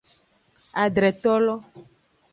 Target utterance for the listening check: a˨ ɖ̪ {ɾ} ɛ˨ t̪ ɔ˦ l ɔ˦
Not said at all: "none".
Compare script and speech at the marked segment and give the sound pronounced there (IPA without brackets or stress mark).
ɾ